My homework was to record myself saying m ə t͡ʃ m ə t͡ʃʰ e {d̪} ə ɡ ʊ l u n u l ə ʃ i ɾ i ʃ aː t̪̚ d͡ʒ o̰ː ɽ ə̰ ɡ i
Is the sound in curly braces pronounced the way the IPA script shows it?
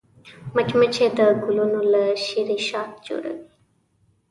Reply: yes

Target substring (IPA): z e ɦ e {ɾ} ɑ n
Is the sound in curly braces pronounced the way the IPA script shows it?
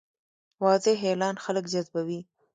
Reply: no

